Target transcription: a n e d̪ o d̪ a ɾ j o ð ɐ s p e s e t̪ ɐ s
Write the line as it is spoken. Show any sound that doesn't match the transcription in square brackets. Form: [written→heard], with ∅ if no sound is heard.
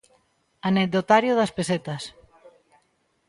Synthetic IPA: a n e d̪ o [d̪→t̪] a ɾ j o ð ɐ s p e s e t̪ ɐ s

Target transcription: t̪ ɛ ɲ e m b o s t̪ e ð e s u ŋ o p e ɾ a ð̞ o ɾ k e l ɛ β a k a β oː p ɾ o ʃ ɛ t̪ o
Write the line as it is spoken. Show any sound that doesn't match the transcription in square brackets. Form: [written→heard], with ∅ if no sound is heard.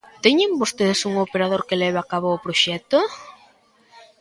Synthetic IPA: t̪ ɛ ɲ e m b o s t̪ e ð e s u ŋ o p e ɾ a ð̞ o ɾ k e l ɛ β a k a β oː p ɾ o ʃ ɛ t̪ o

